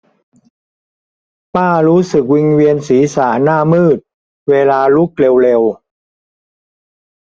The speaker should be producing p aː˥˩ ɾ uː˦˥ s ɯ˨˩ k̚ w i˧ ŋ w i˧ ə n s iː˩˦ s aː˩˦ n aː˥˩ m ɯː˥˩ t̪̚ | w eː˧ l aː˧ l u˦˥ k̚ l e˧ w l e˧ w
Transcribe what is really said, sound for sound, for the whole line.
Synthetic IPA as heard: p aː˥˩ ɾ uː˦˥ s ɯ˨˩ k̚ w i˧ ŋ w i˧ ə n s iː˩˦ s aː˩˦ n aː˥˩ m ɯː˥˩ t̪̚ | w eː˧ l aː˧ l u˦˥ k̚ l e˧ w l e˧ w